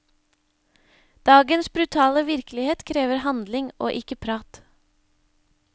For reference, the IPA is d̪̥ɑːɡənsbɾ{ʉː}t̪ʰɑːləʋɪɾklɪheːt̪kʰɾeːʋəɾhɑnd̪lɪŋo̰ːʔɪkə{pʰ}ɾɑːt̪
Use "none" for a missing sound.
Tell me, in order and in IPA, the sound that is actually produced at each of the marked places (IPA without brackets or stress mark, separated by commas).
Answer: ʉ, pʰ